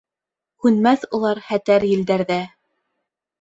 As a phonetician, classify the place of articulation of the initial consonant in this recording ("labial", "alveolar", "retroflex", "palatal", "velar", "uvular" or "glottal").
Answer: glottal